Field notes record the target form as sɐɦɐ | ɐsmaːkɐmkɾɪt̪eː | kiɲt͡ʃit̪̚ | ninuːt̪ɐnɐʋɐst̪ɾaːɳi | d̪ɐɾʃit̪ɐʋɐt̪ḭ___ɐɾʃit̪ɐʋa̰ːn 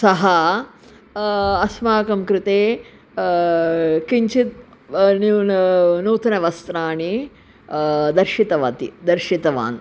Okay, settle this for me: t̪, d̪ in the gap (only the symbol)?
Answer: d̪